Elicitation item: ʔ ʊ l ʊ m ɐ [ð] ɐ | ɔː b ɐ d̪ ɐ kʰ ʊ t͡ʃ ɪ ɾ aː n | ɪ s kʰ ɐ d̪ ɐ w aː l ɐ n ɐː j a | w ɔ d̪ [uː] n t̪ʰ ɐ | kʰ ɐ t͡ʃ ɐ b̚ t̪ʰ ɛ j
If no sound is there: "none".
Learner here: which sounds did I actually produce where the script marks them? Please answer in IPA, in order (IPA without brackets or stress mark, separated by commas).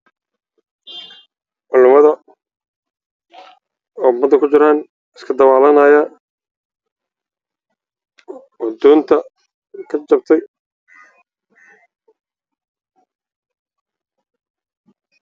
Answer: ð, ɔː